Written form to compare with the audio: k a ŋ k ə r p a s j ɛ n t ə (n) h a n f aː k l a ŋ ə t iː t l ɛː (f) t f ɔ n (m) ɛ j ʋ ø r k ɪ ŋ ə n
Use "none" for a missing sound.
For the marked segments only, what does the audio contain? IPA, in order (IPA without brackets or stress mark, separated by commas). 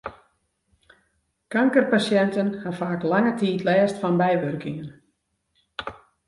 n, s, b